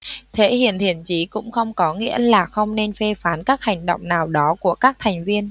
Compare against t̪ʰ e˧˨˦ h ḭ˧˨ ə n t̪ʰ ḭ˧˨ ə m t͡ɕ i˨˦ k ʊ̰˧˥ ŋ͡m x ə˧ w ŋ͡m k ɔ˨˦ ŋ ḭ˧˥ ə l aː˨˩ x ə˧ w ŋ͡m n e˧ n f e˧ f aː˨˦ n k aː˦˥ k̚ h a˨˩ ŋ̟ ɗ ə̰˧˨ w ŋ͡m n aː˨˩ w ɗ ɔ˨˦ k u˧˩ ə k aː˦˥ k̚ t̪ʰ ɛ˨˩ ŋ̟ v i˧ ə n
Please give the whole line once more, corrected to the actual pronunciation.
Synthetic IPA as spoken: t̪ʰ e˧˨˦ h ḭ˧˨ ə n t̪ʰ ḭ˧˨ ə n t͡ɕ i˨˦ k ʊ̰˧˥ ŋ͡m x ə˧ w ŋ͡m k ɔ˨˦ ŋ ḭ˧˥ ə l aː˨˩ x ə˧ w ŋ͡m n e˧ n f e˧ f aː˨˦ n k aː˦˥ k̚ h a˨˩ ŋ̟ ɗ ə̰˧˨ w ŋ͡m n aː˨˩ w ɗ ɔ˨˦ k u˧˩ ə k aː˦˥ k̚ t̪ʰ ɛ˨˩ ŋ̟ v i˧ ə n